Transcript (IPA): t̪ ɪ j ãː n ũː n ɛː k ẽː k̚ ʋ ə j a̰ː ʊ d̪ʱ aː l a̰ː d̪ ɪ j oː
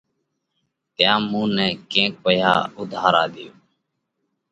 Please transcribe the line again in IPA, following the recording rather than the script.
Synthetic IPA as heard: t̪ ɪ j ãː m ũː n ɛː k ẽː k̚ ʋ ə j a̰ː ʊ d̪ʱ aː ɾ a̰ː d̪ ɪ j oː